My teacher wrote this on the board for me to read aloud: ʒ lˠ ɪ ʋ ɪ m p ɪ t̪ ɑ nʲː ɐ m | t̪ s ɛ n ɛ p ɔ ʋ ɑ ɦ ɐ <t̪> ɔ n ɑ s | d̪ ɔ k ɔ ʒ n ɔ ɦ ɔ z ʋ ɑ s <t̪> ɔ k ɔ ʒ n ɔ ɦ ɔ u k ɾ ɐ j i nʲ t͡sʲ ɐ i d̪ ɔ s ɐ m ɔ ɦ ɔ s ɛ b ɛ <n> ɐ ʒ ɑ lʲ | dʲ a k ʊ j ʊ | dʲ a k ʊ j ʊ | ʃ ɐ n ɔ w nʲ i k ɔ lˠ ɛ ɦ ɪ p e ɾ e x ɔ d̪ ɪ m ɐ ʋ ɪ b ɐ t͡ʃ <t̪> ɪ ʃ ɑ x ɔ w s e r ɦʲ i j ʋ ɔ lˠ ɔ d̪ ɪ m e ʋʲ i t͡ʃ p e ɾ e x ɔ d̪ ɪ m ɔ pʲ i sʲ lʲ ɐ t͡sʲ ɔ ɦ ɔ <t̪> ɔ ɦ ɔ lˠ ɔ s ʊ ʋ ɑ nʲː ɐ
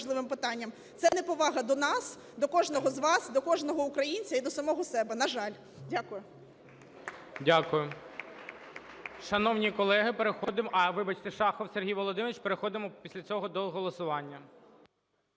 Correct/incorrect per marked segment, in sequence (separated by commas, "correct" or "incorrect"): incorrect, incorrect, correct, correct, incorrect